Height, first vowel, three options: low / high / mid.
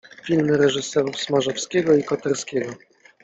high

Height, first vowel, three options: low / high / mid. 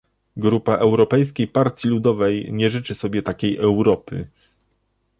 high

